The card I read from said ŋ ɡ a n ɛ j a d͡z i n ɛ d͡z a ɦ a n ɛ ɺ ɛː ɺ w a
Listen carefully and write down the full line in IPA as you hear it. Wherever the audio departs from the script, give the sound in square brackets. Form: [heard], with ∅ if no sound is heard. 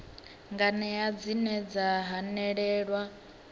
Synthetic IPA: ŋ ɡ a n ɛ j a d͡z i n ɛ d͡z a ɦ a n ɛ ɺ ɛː ɺ w a